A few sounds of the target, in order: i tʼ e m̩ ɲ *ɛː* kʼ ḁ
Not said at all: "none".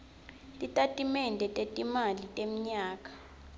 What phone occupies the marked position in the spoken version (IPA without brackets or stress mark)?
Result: aː